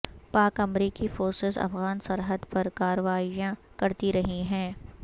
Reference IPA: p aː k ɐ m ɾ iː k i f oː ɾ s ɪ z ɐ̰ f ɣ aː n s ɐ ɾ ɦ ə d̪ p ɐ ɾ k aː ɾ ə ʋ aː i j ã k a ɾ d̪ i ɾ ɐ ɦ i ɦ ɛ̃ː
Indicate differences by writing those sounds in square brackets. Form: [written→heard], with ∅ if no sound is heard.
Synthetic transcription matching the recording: p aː k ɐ m ɾ iː k i f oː ɾ s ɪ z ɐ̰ f ɣ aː n s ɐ ɾ ɦ ə d̪ p ɐ ɾ k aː ɾ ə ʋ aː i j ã k [a→ɐ] ɾ [d̪→t̪] i ɾ ɐ ɦ i ɦ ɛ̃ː